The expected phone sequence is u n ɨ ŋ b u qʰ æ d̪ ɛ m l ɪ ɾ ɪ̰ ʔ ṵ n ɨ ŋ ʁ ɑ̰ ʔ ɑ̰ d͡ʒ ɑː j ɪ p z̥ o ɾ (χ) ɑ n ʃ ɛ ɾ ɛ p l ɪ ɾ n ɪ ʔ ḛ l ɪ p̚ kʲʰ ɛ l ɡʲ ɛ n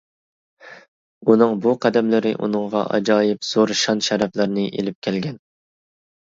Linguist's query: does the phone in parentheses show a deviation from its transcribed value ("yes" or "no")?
yes